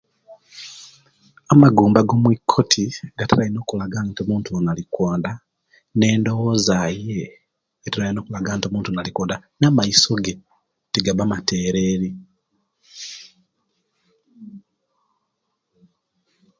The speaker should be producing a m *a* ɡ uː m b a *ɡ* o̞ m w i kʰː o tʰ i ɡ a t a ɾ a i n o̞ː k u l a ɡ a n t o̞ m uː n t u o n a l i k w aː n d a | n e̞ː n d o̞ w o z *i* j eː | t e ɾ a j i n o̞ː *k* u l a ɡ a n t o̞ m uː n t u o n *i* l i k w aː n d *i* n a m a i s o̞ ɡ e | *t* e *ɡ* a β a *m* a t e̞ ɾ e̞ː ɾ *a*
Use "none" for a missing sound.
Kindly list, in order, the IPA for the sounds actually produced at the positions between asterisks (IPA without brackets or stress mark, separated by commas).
a, ɡ, a, k, a, a, t, ɡ, m, i